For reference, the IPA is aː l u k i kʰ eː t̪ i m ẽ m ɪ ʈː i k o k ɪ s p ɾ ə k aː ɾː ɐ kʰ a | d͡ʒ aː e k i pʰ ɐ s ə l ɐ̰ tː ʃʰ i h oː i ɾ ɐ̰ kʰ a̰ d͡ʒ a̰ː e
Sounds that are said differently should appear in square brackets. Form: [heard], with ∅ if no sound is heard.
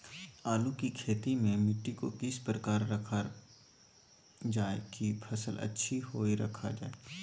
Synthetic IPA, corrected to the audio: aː l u k i kʰ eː t̪ i m ẽ m ɪ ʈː i k o k ɪ s p ɾ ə k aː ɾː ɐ kʰ a | d͡ʒ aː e k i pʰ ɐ s ə l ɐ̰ tː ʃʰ i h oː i ɾ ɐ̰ kʰ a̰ d͡ʒ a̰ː e